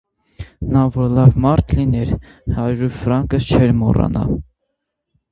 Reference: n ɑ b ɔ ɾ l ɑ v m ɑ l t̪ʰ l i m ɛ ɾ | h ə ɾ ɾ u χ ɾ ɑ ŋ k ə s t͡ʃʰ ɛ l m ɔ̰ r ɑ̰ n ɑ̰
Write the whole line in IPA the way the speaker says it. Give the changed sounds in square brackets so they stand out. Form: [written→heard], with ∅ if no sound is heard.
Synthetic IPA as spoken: n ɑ [b→v] ɔ ɾ l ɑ v m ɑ [l→ɾ] t̪ʰ l i [m→n] ɛ ɾ | h [ə→ɑ] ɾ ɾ u [χ→f] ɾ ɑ ŋ k ə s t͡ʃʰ ɛ [l→ɾ] m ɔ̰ r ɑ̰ n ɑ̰